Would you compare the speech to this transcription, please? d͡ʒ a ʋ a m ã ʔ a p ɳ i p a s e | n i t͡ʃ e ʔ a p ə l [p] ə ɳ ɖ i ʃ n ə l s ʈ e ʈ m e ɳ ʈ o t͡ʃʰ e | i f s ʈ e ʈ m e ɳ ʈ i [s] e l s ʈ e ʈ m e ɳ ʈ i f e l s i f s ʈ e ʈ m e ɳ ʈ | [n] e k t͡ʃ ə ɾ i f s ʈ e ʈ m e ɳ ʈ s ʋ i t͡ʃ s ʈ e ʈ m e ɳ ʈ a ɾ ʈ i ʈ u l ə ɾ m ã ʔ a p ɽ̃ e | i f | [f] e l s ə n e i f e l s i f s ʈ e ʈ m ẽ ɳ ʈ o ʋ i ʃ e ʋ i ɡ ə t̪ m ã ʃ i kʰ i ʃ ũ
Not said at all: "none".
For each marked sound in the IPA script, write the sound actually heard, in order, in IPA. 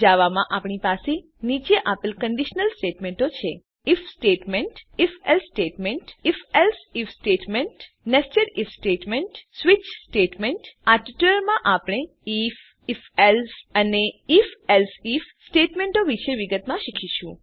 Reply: k, f, n, f

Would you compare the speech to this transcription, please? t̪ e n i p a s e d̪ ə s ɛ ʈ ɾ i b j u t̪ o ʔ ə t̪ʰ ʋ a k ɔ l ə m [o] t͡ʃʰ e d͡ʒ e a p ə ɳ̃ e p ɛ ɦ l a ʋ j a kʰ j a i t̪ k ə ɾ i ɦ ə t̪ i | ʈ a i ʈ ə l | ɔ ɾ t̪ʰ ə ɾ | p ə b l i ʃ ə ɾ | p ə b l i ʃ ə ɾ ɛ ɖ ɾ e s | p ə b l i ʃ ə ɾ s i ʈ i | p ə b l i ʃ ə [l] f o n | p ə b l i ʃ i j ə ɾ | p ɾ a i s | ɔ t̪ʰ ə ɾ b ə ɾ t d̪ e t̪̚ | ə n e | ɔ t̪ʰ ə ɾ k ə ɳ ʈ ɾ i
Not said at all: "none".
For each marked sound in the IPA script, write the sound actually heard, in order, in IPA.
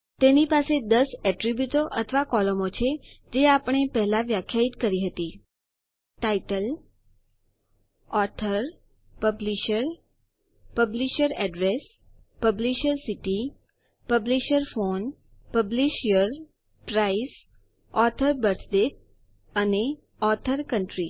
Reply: o, ɾ

